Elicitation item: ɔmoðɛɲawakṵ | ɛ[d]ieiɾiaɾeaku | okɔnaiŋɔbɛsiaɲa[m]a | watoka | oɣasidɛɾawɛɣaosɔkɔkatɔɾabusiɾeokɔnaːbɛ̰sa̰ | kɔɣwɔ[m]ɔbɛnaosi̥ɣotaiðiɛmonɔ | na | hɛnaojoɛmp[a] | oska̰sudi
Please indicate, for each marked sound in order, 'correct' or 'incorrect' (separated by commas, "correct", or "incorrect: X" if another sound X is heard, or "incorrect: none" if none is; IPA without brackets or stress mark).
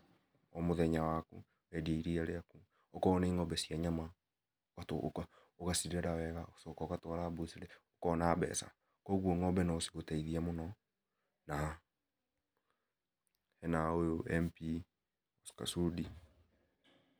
correct, correct, incorrect: ŋ, incorrect: i